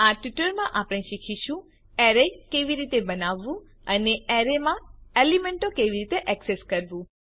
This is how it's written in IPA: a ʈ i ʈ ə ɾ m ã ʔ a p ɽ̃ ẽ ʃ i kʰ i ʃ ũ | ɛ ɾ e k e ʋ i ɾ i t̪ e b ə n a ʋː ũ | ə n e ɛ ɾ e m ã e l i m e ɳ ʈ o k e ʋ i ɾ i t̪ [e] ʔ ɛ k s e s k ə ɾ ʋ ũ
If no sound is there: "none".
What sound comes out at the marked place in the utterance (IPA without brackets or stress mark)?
e